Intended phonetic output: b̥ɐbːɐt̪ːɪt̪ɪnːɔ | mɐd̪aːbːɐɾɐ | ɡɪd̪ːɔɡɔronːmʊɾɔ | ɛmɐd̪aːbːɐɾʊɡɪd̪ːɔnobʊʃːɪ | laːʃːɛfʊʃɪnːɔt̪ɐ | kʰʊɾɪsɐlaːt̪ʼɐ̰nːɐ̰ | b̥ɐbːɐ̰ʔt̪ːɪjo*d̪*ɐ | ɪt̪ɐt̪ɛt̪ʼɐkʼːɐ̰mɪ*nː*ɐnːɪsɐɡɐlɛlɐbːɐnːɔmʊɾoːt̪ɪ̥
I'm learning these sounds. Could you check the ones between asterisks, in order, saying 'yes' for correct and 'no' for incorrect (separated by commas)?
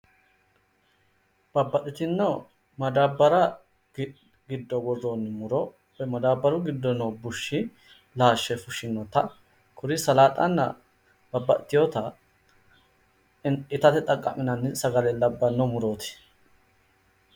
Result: no, no